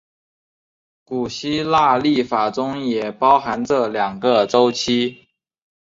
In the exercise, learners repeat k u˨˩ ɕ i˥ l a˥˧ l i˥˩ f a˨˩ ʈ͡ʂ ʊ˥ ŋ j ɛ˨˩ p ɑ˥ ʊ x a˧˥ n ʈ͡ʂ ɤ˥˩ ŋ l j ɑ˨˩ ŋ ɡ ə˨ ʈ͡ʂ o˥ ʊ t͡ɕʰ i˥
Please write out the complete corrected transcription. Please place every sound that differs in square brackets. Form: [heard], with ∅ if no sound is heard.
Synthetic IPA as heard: k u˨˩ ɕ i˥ l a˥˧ l i˥˩ f a˨˩ ʈ͡ʂ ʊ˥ ŋ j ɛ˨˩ p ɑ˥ ʊ x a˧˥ n ʈ͡ʂ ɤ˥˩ [∅] l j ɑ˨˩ ŋ ɡ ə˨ ʈ͡ʂ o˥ ʊ t͡ɕʰ i˥